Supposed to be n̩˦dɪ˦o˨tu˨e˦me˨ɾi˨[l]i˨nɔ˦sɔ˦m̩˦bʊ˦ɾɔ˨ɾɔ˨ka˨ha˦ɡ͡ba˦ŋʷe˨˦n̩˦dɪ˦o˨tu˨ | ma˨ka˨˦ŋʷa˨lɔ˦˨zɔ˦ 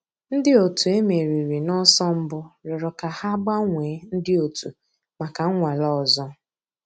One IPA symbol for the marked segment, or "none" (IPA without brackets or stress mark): ɾ